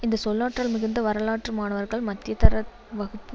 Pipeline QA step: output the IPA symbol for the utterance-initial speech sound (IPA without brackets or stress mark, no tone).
ɪ